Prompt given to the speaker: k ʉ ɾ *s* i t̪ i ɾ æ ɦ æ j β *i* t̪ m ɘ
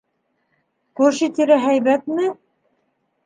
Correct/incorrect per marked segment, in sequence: incorrect: ʃ, incorrect: æ

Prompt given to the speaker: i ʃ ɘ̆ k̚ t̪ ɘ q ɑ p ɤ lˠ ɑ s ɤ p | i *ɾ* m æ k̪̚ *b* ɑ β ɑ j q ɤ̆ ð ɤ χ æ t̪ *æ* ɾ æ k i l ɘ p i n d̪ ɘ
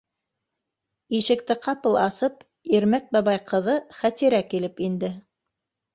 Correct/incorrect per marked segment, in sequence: correct, correct, incorrect: i

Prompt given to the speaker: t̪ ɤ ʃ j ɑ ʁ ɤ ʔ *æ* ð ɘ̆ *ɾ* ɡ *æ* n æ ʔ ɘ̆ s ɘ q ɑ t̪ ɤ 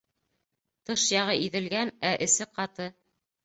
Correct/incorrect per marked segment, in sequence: incorrect: i, incorrect: l, correct

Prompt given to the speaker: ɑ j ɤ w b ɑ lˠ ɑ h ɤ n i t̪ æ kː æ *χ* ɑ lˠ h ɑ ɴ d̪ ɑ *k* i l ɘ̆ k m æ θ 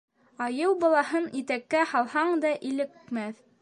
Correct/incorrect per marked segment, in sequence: incorrect: h, incorrect: ʔ

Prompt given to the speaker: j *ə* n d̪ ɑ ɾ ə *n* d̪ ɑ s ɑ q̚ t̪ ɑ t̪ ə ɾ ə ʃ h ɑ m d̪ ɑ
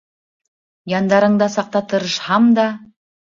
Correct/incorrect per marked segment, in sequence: incorrect: ɑ, incorrect: ɴ

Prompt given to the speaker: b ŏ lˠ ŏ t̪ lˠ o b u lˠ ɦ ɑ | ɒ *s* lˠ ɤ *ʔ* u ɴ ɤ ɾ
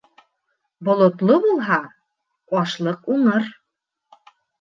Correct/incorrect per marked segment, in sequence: incorrect: ʃ, incorrect: q

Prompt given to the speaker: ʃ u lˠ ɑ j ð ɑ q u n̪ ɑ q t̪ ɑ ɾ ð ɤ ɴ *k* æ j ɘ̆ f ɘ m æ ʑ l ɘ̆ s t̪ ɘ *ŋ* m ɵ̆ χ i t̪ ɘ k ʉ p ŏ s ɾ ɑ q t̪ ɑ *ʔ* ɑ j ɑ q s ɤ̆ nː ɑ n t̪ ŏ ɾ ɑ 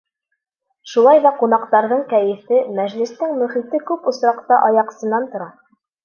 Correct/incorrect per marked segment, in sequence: correct, correct, correct

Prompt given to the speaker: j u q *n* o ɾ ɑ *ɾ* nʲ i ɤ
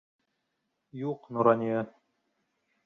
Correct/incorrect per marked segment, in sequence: correct, incorrect: none

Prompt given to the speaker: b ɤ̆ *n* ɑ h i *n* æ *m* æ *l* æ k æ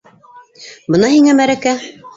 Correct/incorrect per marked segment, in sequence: correct, incorrect: ŋ, correct, incorrect: ɾ

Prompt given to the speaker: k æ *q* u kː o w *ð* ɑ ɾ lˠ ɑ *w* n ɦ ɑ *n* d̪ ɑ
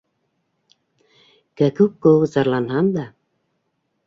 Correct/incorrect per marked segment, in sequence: incorrect: k, incorrect: z, incorrect: none, correct

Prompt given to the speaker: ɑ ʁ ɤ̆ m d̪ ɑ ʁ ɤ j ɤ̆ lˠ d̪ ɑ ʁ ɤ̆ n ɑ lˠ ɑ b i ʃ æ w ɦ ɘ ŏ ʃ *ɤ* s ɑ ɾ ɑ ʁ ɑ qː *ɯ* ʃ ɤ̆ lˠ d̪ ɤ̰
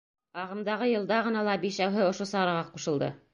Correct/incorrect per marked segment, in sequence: incorrect: o, incorrect: u

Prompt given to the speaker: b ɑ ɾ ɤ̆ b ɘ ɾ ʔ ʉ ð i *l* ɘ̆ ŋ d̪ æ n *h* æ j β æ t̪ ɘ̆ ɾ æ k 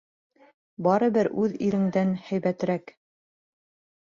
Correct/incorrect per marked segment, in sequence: incorrect: ɾ, correct

